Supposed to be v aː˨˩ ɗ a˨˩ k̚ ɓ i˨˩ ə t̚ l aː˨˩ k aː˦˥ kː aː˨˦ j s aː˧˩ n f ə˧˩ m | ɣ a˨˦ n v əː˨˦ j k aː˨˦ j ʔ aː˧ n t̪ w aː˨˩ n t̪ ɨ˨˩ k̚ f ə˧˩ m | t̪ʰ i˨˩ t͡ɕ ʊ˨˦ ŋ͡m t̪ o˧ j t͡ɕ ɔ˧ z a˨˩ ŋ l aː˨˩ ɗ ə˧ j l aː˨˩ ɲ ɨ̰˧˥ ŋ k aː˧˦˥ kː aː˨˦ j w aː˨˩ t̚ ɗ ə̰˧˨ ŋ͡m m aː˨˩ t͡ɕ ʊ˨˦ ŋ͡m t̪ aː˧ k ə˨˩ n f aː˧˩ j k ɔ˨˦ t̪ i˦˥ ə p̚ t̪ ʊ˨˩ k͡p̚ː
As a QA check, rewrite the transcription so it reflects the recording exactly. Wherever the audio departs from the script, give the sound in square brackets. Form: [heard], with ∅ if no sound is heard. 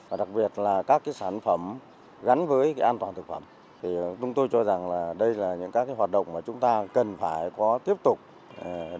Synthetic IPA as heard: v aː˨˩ ɗ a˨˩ k̚ ɓ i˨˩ ə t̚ l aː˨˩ k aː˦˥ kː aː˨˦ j s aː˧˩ n f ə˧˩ m | ɣ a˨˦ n v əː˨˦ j k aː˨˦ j ʔ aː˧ n t̪ w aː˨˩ n t̪ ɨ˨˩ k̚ f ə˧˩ m | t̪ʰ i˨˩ t͡ɕ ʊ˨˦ ŋ͡m t̪ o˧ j t͡ɕ ɔ˧ z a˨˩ ŋ l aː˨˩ ɗ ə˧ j l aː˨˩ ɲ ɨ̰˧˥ ŋ k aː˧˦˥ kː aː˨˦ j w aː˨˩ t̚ ɗ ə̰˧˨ ŋ͡m m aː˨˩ t͡ɕ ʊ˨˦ ŋ͡m t̪ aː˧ k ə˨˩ n f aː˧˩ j k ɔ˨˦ t̪ i˦˥ ə p̚ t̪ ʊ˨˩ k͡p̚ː